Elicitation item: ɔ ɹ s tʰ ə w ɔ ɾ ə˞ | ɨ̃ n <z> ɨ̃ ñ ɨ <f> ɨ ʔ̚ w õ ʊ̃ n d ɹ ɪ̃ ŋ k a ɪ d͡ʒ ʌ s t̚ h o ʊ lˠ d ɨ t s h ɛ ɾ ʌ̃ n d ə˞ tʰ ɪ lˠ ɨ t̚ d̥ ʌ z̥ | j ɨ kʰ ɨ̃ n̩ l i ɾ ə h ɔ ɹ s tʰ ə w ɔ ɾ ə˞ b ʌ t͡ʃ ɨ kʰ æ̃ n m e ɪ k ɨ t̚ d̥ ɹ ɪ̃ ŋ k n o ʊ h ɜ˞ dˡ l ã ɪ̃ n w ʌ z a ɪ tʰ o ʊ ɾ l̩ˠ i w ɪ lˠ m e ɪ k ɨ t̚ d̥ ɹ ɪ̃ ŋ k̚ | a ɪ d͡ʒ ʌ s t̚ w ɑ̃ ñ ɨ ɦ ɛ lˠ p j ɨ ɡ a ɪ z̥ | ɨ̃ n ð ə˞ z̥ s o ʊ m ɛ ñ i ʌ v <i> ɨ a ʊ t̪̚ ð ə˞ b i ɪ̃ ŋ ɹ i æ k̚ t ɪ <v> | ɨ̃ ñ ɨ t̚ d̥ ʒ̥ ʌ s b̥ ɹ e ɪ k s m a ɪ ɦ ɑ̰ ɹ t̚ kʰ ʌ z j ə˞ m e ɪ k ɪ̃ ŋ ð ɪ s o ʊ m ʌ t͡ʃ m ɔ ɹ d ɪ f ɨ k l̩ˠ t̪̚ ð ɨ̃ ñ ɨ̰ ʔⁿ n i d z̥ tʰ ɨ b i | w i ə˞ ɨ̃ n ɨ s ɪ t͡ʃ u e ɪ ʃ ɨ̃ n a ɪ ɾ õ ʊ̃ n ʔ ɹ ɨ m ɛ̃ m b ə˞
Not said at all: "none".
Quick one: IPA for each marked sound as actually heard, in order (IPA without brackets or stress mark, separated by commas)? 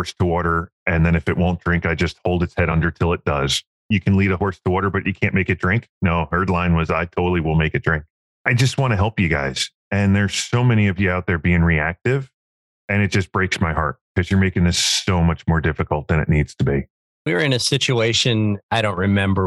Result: ð, f, j, v